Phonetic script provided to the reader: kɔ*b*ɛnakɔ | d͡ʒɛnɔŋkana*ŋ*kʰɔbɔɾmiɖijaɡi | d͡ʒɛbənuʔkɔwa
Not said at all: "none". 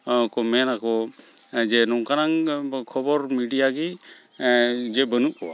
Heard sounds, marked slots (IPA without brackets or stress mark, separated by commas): m, ŋ